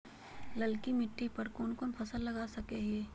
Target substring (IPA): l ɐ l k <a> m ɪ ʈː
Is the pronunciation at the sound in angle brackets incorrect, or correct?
incorrect